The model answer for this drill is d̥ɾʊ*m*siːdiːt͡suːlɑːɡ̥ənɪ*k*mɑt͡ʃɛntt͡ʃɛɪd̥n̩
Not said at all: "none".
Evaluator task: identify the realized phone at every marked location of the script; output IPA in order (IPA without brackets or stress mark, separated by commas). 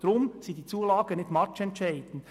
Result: m, t